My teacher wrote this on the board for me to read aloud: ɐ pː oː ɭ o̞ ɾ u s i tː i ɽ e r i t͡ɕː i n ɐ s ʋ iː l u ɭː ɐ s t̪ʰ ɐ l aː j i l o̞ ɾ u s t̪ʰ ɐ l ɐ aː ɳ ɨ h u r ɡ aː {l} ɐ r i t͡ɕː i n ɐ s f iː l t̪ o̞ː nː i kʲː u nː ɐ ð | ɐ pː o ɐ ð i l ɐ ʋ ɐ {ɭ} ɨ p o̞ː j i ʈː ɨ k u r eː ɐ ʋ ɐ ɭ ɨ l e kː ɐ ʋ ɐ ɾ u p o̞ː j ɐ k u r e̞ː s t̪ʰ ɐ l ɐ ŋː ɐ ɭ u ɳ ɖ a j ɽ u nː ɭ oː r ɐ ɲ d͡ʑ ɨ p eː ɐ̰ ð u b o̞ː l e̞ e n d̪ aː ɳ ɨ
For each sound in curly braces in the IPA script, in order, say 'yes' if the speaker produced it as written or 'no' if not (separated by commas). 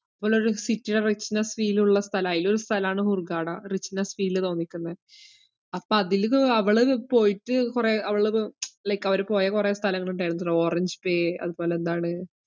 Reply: no, yes